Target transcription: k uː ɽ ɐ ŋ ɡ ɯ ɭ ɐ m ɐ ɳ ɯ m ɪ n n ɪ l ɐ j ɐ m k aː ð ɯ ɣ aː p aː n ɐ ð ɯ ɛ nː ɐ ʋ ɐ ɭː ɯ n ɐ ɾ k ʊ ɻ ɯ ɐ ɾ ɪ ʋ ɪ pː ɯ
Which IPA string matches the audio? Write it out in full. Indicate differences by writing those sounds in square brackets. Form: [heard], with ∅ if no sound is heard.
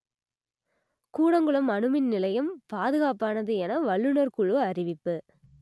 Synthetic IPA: k uː ɽ ɐ ŋ ɡ ɯ ɭ ɐ m ɐ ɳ ɯ m ɪ n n ɪ l ɐ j ɐ m [p] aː ð ɯ ɣ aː p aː n ɐ ð ɯ ɛ [n] ɐ ʋ ɐ ɭː ɯ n ɐ ɾ k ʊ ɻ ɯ ɐ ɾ ɪ ʋ ɪ pː ɯ